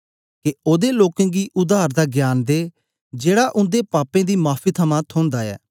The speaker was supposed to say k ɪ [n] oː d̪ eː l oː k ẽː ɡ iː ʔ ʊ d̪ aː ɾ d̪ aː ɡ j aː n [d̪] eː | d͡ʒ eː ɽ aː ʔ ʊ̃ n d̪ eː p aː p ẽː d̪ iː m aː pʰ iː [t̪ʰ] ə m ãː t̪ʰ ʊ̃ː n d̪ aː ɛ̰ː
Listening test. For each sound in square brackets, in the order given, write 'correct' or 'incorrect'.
incorrect: none, correct, correct

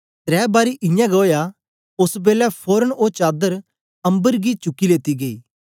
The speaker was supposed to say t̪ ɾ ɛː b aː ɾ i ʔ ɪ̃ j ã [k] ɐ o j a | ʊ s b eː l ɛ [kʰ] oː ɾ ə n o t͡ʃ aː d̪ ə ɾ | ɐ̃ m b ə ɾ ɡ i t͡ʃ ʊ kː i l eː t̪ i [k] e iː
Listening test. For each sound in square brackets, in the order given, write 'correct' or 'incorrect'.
incorrect: ɡ, incorrect: pʰ, incorrect: ɡ

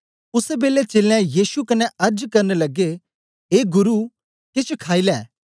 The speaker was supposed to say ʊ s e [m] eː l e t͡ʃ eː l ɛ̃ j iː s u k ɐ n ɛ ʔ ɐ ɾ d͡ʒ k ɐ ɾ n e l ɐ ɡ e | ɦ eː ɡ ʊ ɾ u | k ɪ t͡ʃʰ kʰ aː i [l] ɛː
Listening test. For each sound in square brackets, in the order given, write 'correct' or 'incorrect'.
incorrect: b, correct

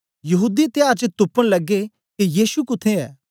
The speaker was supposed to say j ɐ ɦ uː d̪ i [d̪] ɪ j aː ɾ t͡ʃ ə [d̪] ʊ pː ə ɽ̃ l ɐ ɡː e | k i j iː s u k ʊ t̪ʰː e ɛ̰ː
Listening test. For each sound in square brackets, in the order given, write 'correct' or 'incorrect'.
incorrect: t̪, incorrect: t̪

